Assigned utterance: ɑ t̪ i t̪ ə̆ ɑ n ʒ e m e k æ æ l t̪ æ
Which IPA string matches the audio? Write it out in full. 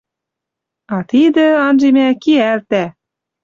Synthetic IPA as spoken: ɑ t̪ i d̪ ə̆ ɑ n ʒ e m æ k i æ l t̪ æ